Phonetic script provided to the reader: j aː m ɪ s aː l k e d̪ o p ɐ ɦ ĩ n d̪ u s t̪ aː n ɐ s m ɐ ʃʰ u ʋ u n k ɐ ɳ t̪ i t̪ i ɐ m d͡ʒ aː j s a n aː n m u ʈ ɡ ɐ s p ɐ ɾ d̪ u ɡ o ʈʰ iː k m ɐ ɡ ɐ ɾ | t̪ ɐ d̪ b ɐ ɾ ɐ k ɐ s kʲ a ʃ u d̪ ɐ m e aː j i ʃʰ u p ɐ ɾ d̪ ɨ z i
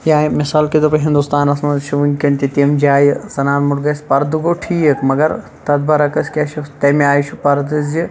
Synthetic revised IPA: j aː m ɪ s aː l k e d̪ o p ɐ ɦ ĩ n d̪ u s t̪ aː n ɐ s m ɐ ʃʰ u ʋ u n k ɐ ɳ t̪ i t̪ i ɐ m d͡ʒ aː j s ɐ n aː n m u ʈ ɡ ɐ s p ɐ ɾ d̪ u ɡ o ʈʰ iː k m ɐ ɡ ɐ ɾ | t̪ ɐ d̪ b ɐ ɾ ɐ k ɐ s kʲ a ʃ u t̪ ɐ m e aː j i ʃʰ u p ɐ ɾ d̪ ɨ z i